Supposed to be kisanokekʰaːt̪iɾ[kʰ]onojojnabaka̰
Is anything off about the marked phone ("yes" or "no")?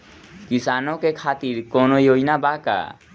yes